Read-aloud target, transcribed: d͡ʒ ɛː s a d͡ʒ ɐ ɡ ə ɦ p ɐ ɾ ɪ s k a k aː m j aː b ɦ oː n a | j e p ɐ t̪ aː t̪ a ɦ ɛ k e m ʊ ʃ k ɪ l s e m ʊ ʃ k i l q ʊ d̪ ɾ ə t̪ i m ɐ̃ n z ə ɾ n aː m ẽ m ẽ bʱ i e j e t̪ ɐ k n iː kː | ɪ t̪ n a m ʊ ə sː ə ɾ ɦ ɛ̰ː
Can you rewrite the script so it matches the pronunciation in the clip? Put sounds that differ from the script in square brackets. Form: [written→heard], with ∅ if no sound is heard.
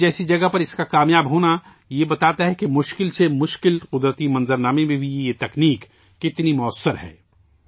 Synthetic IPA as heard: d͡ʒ ɛː s [a→i] d͡ʒ ɐ ɡ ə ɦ p ɐ ɾ ɪ s k a k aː m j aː b ɦ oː n a | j e [p→b] ɐ t̪ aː t̪ a ɦ ɛ k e m ʊ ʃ k ɪ l s e m ʊ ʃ k [i→ɪ] l q ʊ d̪ ɾ ə t̪ i m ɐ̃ n z ə ɾ n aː m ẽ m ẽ bʱ i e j e t̪ ɐ k n iː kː | ɪ t̪ n [a→i] m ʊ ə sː ə ɾ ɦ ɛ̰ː

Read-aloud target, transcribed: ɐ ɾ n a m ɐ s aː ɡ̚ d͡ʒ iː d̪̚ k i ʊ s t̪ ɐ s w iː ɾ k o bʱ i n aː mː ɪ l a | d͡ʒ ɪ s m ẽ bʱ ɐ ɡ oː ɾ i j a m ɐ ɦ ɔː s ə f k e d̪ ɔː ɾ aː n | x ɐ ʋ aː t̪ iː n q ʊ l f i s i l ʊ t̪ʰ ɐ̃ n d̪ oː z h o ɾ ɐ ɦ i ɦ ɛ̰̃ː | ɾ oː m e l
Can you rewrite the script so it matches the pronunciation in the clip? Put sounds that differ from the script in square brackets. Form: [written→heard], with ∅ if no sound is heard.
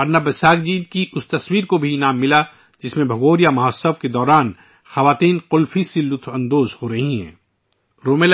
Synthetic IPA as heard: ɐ ɾ n a [m→b] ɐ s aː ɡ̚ d͡ʒ iː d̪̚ k i ʊ s t̪ ɐ s w iː ɾ k o bʱ i n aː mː ɪ l a | d͡ʒ ɪ s m ẽ bʱ ɐ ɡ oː ɾ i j a m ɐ ɦ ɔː s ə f k e d̪ ɔː ɾ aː n | x ɐ ʋ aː t̪ iː n q ʊ l f i s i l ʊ t̪ʰ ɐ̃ n d̪ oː z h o ɾ ɐ ɦ i ɦ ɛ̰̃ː | ɾ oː m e l

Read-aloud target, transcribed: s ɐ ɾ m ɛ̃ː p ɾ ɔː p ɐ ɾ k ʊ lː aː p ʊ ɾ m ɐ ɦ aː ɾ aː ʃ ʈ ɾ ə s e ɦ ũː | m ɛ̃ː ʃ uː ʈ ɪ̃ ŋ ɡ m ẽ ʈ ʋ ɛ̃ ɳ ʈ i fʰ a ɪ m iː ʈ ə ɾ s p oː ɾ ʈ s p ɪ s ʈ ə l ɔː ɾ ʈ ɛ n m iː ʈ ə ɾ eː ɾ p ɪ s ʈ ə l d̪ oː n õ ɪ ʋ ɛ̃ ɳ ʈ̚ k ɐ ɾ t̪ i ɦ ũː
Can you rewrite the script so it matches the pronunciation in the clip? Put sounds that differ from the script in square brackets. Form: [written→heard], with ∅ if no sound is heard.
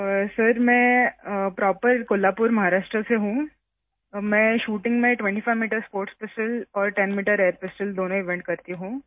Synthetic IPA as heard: s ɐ ɾ m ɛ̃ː p ɾ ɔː p [ɐ→ə] ɾ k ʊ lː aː p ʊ ɾ m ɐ ɦ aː ɾ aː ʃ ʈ ɾ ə s e ɦ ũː | m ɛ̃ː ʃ uː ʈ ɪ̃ ŋ ɡ m ẽ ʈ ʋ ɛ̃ ɳ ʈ i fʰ a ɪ m iː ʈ ə ɾ s p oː ɾ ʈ s p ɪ s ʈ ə l ɔː ɾ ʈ ɛ n m iː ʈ ə ɾ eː ɾ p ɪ s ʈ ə l d̪ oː n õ ɪ ʋ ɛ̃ ɳ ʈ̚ k ɐ ɾ t̪ i ɦ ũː

